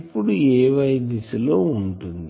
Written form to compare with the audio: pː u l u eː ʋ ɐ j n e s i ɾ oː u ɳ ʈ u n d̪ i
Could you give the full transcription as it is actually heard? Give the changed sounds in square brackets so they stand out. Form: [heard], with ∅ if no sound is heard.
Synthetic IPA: pː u [ɽ] u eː ʋ ɐ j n [i] s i [l] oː u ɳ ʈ u n d̪ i